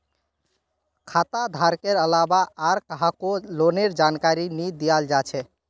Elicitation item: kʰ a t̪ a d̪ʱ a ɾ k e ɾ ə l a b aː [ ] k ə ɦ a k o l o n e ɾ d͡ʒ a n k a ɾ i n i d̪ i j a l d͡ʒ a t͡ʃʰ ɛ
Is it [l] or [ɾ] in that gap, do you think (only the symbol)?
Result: ɾ